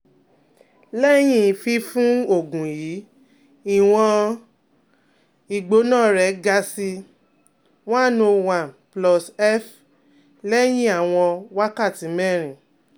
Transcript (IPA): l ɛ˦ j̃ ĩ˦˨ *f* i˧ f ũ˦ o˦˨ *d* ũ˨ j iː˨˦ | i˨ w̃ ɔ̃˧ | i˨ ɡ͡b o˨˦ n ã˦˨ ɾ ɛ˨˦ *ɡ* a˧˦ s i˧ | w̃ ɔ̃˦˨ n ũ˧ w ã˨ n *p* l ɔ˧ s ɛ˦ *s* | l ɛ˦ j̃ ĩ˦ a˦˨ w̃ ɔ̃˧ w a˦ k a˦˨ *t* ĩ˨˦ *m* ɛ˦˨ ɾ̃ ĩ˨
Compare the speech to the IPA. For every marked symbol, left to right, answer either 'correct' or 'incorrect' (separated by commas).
correct, incorrect, correct, correct, incorrect, correct, correct